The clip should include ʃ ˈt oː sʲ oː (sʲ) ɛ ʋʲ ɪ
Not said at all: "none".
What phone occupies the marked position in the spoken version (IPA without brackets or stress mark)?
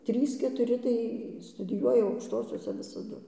sʲ